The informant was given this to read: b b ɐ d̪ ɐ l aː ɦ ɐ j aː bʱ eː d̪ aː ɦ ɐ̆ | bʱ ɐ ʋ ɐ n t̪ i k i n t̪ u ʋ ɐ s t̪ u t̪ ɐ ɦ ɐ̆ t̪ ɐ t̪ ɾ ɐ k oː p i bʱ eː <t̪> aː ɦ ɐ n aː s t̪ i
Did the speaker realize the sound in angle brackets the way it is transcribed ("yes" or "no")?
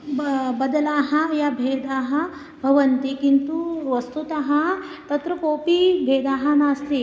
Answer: no